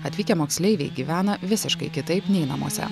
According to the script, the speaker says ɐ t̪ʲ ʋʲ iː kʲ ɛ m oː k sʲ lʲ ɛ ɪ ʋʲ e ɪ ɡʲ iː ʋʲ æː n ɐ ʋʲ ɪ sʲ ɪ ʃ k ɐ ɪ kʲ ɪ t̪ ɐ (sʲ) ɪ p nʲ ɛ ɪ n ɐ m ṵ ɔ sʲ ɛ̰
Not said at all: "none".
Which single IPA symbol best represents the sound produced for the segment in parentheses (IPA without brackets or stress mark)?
none